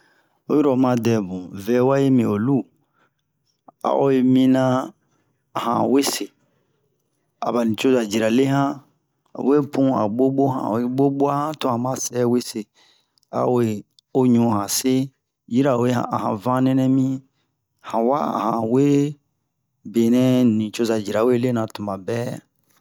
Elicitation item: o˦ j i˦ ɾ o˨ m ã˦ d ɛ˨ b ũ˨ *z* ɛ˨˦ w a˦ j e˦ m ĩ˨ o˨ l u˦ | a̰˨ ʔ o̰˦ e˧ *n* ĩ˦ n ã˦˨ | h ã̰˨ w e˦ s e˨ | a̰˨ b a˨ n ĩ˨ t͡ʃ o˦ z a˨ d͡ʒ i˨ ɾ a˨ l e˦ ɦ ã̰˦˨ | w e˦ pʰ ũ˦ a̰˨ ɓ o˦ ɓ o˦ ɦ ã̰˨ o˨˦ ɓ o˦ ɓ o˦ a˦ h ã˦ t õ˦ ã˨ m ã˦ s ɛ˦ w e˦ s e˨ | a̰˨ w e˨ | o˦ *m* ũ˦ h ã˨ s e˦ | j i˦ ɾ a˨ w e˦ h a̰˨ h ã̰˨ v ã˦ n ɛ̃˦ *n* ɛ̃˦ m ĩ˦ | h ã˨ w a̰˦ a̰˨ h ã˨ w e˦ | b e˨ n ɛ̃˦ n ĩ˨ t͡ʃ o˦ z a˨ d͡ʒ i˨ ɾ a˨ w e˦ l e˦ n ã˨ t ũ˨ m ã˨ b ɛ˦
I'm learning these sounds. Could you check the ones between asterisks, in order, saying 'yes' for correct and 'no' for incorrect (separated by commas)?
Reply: no, no, no, yes